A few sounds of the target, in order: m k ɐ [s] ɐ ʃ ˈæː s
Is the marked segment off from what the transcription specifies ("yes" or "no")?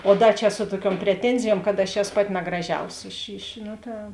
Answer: yes